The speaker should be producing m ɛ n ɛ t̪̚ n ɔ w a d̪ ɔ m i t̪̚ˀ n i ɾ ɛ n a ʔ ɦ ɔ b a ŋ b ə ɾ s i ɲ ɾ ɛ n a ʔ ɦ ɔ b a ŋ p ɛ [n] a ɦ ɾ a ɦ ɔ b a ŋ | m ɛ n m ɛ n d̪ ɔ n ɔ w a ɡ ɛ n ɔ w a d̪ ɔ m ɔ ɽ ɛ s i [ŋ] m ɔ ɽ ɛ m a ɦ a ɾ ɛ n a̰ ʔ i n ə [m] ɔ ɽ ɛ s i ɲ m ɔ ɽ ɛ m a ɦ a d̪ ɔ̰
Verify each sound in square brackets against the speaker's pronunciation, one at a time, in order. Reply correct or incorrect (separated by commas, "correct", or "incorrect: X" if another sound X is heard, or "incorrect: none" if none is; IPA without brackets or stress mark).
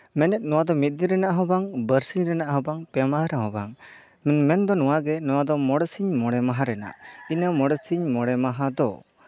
incorrect: m, incorrect: ɲ, correct